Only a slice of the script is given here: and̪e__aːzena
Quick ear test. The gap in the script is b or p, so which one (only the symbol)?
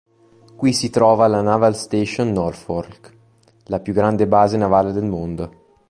b